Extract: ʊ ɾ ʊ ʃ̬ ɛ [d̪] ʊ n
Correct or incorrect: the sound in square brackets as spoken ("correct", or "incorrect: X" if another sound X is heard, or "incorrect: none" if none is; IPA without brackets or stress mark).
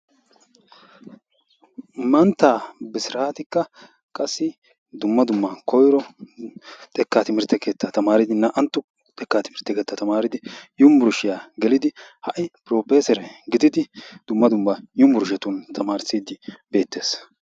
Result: incorrect: t̪